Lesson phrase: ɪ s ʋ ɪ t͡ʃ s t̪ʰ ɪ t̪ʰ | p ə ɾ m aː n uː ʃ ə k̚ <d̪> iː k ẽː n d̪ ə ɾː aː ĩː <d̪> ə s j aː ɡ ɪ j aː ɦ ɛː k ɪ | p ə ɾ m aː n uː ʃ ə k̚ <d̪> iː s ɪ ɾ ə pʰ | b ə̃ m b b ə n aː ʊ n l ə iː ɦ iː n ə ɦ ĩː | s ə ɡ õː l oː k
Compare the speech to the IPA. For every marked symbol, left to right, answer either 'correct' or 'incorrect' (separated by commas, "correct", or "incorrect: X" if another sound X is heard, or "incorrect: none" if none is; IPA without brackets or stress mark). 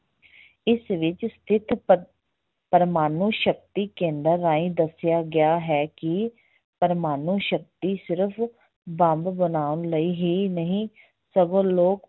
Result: incorrect: t̪, correct, incorrect: t̪